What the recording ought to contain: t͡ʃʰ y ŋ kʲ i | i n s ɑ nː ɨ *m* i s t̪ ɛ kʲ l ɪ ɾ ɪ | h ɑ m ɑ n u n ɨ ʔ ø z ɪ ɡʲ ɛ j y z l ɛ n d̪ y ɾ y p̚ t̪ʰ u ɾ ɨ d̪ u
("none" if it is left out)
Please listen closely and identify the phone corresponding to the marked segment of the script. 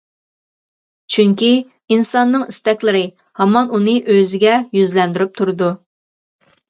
ŋ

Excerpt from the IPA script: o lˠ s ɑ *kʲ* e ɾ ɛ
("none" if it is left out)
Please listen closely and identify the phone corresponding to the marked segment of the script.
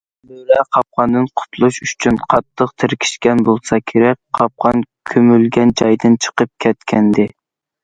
kʲʰ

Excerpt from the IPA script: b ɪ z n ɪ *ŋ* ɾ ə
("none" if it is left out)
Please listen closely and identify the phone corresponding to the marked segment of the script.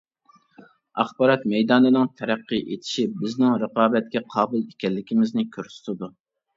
ŋ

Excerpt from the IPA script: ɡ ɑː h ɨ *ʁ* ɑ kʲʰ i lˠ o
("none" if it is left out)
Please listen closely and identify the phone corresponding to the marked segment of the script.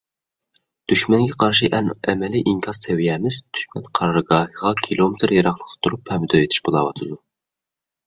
ʁ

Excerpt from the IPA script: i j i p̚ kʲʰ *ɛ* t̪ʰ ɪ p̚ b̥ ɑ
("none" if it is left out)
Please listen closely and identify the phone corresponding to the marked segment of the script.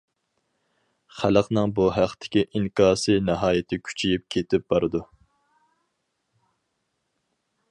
e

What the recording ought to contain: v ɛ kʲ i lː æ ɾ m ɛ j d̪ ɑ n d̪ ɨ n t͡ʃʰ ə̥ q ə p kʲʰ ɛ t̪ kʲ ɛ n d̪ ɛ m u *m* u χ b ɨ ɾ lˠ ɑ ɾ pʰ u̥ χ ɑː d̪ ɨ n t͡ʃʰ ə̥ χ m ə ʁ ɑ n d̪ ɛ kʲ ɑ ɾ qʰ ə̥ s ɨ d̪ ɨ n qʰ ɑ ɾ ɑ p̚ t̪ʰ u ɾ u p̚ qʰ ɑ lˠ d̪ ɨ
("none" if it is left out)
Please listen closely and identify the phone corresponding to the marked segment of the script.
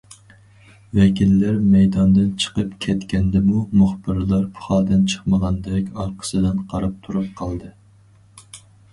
m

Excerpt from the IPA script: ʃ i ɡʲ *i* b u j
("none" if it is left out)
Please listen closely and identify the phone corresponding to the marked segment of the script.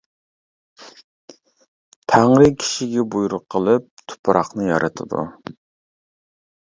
ɛ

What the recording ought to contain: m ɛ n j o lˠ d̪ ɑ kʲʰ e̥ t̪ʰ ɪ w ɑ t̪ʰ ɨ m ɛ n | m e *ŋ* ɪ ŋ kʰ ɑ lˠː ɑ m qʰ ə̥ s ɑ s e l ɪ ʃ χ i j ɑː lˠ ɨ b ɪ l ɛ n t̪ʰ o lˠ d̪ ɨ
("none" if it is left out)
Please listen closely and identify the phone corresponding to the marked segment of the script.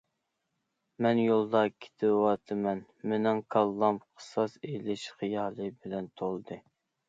n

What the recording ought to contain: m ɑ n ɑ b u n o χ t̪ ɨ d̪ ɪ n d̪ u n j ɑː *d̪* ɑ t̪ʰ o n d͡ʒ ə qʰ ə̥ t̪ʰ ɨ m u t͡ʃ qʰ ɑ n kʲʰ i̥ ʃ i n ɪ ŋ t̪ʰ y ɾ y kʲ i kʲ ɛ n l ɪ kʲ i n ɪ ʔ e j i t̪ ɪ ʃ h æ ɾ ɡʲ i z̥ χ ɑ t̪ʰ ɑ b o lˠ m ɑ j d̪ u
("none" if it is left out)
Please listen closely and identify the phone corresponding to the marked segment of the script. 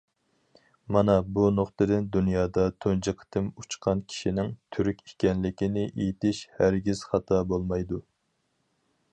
d̪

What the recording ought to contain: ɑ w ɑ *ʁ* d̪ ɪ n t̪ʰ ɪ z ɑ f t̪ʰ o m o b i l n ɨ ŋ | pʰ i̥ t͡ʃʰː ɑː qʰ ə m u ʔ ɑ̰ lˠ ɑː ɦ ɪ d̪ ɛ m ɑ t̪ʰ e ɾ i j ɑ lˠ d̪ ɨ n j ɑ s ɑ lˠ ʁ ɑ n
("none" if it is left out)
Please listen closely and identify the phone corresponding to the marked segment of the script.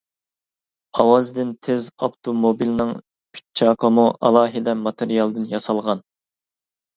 z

